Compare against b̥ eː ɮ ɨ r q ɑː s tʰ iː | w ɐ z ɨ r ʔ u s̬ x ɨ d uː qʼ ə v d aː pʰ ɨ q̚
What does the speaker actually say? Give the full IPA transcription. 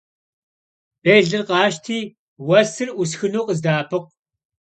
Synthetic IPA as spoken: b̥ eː ɮ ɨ r q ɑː ʃ tʰ iː | w ɐ s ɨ r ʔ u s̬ x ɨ n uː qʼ ə z d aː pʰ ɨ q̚